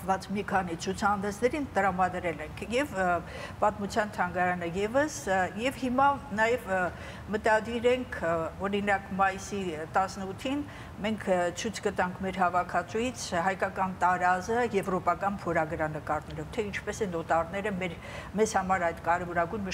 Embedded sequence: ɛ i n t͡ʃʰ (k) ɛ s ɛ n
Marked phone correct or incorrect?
incorrect